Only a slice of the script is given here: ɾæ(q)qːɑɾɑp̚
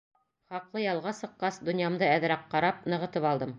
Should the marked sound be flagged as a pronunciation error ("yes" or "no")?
no